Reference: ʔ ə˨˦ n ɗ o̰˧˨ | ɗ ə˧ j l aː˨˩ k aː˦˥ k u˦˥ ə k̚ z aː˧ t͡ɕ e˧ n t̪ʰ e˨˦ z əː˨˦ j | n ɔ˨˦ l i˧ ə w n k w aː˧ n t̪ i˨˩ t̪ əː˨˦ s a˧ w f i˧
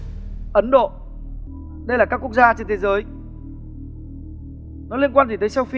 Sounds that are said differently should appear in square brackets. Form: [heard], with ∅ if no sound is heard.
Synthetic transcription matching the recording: ʔ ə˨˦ n ɗ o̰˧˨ | ɗ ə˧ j l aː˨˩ k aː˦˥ k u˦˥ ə k̚ z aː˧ t͡ɕ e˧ n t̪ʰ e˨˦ z əː˨˦ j | n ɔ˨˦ l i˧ ə [∅] n k w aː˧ n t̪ i˨˩ t̪ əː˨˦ s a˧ w f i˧

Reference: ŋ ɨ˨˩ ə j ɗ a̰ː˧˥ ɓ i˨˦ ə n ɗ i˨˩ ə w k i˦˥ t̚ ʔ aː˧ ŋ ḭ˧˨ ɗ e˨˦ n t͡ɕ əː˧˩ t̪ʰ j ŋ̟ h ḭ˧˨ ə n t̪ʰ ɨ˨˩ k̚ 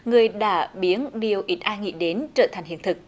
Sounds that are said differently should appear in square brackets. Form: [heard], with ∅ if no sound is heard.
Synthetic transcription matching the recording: ŋ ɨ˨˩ ə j ɗ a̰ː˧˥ ɓ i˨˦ ə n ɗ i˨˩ ə w [ʔ] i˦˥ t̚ ʔ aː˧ ŋ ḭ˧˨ ɗ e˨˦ n t͡ɕ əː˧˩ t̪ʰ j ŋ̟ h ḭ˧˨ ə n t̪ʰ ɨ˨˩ k̚

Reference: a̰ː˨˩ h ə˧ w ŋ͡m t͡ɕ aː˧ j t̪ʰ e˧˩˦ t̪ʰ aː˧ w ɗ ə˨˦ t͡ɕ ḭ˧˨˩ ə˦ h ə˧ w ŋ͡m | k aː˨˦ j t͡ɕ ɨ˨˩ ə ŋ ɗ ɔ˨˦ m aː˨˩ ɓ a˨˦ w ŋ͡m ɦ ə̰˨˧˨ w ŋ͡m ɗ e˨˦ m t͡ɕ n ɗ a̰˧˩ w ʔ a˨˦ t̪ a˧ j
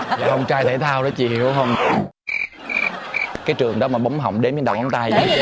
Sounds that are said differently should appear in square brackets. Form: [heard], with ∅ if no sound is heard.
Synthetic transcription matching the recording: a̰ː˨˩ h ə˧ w ŋ͡m t͡ɕ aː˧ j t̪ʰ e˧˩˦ t̪ʰ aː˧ w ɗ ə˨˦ t͡ɕ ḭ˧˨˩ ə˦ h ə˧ w ŋ͡m | k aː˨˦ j t͡ɕ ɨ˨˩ ə ŋ ɗ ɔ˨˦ m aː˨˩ ɓ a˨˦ w ŋ͡m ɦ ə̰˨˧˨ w ŋ͡m ɗ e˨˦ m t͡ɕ n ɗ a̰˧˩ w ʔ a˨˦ t̪ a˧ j

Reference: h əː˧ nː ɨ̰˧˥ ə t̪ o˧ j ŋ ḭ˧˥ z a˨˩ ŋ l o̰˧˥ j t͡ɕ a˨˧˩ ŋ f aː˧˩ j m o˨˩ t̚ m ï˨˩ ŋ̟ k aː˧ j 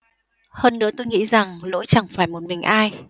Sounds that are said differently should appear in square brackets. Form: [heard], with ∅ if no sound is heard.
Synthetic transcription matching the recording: h əː˧ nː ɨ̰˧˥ ə t̪ o˧ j ŋ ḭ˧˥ z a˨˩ ŋ l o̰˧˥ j t͡ɕ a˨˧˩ ŋ f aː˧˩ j m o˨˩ t̚ m ï˨˩ ŋ̟ [ʔ] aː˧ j

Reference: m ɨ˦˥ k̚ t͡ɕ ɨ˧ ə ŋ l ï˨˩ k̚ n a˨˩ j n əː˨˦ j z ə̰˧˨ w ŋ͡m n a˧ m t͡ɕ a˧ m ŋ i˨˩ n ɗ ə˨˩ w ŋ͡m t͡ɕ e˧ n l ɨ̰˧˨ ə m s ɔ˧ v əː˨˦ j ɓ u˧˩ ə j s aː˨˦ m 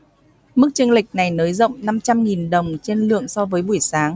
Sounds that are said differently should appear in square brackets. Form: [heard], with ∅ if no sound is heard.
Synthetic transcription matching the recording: m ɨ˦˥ k̚ t͡ɕ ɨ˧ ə ŋ l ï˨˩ k̚ n a˨˩ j n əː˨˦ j z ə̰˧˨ w ŋ͡m n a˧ m t͡ɕ a˧ m ŋ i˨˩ n ɗ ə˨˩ w ŋ͡m t͡ɕ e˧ n l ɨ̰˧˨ ə [ŋ] s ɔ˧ v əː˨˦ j ɓ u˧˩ ə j s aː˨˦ [ŋ]

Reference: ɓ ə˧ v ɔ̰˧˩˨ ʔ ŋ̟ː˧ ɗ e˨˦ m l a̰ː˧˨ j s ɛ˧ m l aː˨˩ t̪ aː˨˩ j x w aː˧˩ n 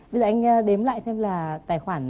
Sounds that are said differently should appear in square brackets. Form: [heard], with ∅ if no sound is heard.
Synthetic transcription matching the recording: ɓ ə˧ [z] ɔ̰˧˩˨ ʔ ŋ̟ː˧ ɗ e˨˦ m l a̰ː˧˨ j s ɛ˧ m l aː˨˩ t̪ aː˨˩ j x w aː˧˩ n

